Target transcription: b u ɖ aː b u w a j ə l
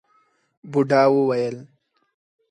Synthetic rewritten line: b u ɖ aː w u w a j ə l